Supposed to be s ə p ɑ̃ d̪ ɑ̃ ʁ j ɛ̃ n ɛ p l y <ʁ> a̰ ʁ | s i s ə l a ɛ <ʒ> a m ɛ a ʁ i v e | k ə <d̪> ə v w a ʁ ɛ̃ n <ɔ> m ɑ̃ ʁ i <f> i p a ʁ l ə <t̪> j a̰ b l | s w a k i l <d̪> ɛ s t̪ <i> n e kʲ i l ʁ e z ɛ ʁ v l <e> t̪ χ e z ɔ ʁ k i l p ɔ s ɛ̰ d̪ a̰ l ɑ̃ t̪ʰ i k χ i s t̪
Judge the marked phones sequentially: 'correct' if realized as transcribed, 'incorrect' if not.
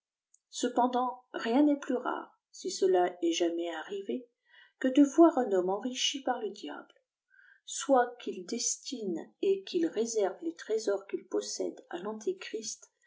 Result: correct, correct, correct, correct, incorrect, incorrect, correct, correct, correct

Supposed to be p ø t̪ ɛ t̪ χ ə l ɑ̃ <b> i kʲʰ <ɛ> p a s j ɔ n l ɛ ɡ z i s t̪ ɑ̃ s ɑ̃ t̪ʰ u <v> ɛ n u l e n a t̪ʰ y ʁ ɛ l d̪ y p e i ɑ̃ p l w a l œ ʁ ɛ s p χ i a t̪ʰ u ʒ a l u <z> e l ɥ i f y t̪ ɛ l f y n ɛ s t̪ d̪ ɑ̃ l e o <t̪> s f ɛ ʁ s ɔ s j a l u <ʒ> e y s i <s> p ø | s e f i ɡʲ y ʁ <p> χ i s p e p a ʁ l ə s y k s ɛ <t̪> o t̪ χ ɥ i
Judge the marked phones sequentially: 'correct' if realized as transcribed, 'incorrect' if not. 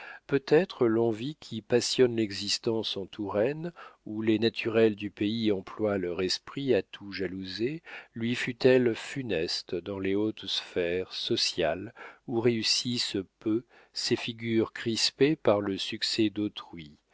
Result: incorrect, incorrect, incorrect, correct, correct, incorrect, correct, incorrect, incorrect

